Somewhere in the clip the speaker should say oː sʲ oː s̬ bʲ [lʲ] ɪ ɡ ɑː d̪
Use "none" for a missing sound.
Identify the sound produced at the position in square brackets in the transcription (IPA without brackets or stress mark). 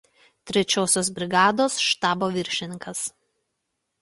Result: ɾʲ